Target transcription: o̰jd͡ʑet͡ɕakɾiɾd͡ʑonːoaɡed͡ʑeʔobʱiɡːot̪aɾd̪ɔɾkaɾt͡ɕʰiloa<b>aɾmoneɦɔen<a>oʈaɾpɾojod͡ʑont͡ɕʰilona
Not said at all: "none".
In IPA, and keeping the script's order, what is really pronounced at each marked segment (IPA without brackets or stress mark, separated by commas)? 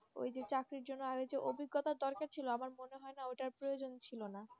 m, a